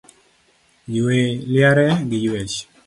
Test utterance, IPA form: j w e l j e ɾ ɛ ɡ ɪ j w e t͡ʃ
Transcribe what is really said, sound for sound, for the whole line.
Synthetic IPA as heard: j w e l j a ɾ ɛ ɡ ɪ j w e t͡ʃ